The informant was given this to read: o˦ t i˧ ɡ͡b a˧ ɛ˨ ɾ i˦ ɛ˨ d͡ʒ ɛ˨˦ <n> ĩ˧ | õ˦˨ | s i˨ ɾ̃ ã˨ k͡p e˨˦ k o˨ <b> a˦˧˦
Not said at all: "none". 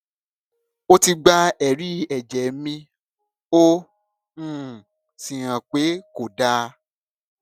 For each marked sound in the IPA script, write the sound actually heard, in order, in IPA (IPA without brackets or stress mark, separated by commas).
m, d